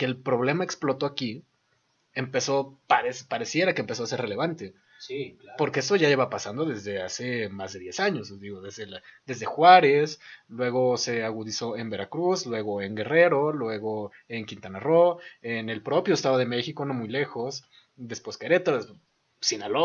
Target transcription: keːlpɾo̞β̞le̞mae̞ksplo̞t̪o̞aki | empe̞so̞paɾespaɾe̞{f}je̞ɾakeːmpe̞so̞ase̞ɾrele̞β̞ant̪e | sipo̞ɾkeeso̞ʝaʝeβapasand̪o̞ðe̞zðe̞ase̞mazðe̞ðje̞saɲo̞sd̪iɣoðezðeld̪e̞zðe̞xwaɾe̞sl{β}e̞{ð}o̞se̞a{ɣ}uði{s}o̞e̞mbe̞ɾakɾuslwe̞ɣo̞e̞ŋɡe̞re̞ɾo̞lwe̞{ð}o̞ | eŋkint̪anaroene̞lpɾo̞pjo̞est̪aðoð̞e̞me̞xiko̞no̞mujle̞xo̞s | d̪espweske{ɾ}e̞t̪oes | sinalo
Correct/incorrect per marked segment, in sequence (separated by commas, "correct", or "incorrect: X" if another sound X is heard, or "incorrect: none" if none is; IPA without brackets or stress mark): incorrect: s, incorrect: w, incorrect: ɣ, correct, correct, incorrect: ɣ, correct